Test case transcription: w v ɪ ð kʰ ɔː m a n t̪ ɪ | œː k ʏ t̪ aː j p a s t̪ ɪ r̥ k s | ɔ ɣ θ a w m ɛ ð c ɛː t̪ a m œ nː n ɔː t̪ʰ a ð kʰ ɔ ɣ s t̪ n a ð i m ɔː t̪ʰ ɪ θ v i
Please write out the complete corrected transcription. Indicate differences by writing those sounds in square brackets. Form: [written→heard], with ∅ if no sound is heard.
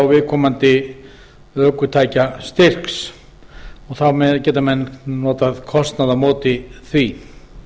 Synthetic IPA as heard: w v ɪ ð kʰ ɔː m a n t̪ ɪ | œː k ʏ [t̪→t̪ʰ] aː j [p→c] a s t̪ ɪ r̥ k s | ɔ ɣ θ a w m ɛ ð c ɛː t̪ a m [œ→ɛ] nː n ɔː [t̪ʰ→t̪] a ð kʰ ɔ [ɣ→∅] s t̪ n a ð [i→a] m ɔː [t̪ʰ→t̪] ɪ θ v i